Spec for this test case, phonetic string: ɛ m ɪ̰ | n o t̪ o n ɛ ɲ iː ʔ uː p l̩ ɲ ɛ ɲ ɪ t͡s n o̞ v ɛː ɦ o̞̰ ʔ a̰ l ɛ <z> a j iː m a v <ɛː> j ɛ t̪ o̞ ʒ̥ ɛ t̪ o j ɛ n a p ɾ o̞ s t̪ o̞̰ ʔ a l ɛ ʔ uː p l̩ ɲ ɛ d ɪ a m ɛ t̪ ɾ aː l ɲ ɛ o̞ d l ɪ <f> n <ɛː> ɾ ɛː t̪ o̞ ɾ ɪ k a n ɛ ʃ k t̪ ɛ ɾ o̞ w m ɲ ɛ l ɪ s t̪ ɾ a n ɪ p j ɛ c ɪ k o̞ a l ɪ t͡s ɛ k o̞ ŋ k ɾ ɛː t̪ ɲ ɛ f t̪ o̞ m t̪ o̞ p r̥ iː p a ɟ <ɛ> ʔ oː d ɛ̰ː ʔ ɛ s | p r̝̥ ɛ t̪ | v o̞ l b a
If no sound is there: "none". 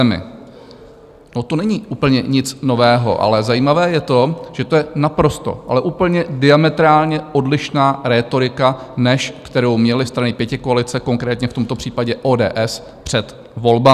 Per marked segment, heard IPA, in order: z, ɛː, ʃ, aː, ɛ

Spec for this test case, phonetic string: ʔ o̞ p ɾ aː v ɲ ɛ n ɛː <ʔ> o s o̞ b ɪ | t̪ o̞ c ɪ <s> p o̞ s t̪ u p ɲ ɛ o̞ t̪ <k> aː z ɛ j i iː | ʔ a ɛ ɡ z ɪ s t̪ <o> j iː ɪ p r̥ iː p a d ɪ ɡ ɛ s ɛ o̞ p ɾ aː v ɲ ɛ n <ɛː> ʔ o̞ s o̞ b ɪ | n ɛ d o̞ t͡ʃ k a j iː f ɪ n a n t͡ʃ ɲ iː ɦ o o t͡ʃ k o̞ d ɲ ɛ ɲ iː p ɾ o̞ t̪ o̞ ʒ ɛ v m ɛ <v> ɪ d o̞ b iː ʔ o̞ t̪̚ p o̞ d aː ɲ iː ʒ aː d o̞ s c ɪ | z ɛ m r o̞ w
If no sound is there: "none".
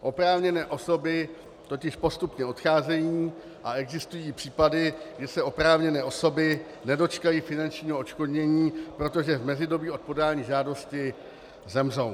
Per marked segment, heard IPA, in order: ʔ, ʃ, x, u, ɛː, z

